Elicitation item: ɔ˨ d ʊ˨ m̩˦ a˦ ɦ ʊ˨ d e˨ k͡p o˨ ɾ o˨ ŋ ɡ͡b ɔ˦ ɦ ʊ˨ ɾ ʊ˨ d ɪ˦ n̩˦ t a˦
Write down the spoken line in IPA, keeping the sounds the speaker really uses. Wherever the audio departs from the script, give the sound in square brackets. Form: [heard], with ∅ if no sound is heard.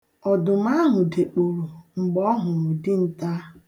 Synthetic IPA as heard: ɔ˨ d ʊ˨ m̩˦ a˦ ɦ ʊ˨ d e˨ k͡p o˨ ɾ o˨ [ŋ͡m̩] ɡ͡b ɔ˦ ɦ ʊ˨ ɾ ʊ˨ d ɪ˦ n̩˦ t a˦